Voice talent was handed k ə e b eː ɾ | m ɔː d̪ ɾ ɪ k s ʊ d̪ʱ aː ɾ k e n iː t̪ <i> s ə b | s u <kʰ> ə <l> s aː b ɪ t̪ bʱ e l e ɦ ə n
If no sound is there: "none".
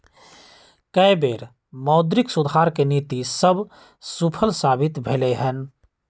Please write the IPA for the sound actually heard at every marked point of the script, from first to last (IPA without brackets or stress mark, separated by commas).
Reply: i, pʰ, l